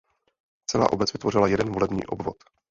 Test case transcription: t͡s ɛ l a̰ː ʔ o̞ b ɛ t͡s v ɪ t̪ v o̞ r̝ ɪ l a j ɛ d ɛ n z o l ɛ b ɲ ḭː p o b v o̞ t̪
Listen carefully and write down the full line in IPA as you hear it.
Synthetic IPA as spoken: t͡s ɛ l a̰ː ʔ o̞ b ɛ t͡s v ɪ t̪ v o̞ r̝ ɪ l a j ɛ d ɛ n v o l ɛ b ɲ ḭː ʔ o b v o̞ t̪

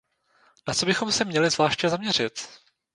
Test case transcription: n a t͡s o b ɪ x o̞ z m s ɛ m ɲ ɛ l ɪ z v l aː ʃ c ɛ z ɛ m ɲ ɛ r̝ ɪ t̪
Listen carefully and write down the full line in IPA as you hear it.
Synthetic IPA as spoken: n a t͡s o b ɪ x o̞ m s ɛ m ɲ ɛ l ɪ z v l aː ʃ c ɛ z a m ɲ ɛ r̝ ɪ t̪

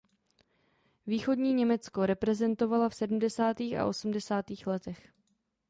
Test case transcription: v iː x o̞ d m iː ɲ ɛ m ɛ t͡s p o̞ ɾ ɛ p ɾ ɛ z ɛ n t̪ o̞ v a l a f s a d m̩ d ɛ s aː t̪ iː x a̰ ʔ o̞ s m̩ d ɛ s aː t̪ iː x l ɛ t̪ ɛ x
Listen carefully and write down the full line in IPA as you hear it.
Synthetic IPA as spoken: v iː x o̞ d ɲ iː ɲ ɛ m ɛ t͡s k o̞ ɾ ɛ p ɾ ɛ z ɛ n t̪ o̞ v a l a f s ɛ d m̩ d ɛ s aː t̪ iː x a̰ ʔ o̞ s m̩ d ɛ s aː t̪ iː x l ɛ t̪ ɛ x

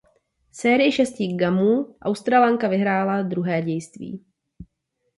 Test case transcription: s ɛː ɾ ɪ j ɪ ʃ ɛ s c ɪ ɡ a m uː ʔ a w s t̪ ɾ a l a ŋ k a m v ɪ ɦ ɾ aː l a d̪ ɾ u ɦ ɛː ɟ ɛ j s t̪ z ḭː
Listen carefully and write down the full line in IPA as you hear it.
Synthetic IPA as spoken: s ɛː ɾ ɪ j ɪ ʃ ɛ s c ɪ ɡ a m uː ʔ a w s t̪ ɾ a l a ŋ k a v ɪ ɦ ɾ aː l a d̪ ɾ u ɦ ɛː ɟ ɛ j s t̪ v ḭː

